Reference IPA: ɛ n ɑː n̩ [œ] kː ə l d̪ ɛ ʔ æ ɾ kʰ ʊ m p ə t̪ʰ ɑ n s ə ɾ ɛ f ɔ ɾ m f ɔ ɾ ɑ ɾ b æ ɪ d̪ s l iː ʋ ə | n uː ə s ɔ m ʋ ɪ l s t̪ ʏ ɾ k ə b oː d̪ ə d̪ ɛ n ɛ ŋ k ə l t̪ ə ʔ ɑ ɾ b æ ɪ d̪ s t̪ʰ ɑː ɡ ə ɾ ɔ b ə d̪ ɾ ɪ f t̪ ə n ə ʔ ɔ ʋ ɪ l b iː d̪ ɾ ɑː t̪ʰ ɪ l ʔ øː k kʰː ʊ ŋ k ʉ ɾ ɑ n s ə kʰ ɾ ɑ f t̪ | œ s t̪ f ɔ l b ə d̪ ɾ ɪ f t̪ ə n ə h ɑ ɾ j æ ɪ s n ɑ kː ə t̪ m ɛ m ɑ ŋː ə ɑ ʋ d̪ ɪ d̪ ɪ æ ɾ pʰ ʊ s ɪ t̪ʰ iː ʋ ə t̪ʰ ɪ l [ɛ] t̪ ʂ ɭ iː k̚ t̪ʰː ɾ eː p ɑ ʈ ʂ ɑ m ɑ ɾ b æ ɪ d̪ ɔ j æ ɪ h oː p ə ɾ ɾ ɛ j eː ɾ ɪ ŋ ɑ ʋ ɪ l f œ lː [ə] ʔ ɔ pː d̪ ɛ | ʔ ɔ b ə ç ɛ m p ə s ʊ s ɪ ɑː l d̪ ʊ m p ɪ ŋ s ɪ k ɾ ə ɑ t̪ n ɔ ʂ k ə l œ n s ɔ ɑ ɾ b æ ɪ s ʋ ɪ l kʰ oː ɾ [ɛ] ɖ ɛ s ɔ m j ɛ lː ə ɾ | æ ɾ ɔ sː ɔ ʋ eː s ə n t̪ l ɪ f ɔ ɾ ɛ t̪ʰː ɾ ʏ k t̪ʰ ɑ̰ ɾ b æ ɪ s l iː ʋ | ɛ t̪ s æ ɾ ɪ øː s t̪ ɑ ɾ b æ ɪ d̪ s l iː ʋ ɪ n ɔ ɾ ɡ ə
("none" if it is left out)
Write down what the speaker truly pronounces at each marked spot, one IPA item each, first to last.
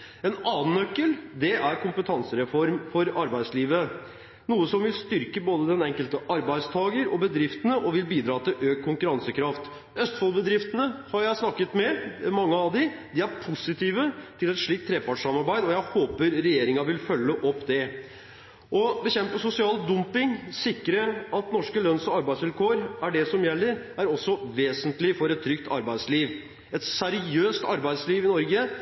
œ, ɛ, ə, æ

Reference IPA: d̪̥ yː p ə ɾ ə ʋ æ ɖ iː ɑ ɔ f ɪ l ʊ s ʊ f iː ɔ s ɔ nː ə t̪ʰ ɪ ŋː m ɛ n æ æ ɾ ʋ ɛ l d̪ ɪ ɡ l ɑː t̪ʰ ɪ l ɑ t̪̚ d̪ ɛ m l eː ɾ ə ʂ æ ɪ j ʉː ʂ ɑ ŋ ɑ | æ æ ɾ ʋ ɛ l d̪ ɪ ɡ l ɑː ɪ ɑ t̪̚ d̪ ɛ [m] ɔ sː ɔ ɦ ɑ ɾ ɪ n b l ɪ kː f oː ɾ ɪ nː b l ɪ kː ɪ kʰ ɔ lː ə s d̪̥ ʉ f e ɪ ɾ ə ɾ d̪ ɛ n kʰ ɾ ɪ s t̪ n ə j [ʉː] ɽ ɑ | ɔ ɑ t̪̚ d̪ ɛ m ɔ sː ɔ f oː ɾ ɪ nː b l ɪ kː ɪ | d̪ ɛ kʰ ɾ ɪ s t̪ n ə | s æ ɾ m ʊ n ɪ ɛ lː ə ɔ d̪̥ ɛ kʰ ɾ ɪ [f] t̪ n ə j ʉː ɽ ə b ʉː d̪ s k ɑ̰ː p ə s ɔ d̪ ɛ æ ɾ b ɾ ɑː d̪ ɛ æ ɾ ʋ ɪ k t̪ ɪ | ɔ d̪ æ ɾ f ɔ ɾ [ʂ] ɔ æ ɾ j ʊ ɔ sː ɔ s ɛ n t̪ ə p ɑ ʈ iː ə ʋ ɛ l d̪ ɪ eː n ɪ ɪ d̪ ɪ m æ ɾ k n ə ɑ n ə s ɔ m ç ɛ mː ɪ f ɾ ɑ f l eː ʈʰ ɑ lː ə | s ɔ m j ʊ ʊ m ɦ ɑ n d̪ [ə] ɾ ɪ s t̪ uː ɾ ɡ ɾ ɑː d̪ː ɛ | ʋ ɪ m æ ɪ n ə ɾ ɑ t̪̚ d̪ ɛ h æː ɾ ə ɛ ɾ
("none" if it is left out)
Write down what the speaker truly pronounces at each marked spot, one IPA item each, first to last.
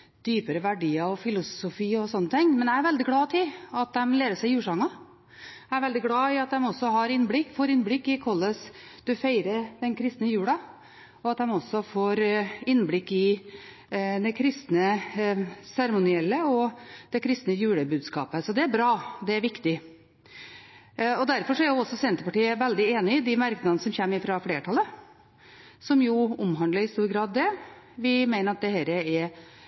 m, ʉː, s, ʂ, ə

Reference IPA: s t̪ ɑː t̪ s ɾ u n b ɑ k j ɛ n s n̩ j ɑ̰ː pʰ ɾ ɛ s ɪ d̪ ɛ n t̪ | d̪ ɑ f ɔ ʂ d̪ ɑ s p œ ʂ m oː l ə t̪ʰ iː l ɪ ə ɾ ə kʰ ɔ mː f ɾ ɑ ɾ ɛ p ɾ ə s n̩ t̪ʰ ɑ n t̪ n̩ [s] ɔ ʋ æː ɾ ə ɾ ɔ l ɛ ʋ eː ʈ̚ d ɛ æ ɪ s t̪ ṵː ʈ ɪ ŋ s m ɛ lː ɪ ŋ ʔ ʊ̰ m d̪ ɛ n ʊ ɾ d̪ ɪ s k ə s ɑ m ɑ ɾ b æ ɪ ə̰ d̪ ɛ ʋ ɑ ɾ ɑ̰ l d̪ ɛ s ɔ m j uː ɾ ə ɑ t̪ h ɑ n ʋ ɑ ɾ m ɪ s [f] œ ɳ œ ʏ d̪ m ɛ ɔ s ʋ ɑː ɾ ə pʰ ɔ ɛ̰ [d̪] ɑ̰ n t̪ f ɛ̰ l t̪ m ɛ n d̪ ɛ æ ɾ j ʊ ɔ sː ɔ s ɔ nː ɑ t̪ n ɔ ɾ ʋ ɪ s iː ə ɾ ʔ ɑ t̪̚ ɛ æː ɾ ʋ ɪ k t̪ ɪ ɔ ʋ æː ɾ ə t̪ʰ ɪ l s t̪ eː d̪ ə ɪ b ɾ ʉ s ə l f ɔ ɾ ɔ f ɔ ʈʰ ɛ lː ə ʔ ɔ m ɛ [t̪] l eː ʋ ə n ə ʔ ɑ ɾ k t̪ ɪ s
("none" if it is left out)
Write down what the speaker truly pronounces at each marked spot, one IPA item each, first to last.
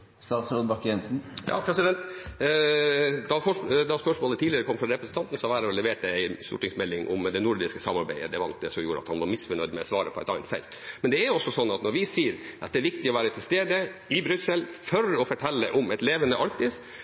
s, f, t̪, t̪

